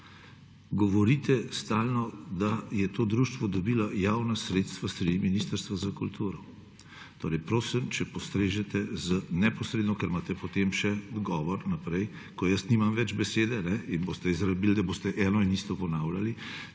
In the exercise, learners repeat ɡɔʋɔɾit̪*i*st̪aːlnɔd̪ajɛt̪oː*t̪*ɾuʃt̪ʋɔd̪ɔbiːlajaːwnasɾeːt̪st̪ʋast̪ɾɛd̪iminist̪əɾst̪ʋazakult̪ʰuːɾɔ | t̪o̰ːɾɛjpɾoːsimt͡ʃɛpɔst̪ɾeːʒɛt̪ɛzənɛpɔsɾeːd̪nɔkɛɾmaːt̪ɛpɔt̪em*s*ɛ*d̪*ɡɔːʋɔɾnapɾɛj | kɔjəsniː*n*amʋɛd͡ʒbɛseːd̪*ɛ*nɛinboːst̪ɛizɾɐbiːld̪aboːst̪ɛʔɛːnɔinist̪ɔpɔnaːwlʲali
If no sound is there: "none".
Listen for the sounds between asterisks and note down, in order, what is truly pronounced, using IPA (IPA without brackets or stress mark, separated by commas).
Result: ɛ, d̪, ʃ, d̪, m, ɛ